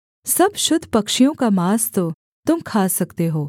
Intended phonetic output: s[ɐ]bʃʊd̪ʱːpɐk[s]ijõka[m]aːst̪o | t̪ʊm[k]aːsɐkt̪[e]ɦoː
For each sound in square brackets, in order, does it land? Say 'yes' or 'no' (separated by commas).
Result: yes, no, yes, no, yes